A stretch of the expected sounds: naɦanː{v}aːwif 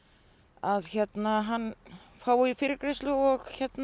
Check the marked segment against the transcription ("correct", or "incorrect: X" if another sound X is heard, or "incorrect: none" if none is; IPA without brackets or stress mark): incorrect: f